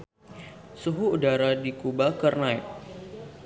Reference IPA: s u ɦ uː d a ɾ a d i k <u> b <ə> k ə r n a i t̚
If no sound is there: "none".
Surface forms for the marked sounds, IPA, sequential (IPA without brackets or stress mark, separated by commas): u, a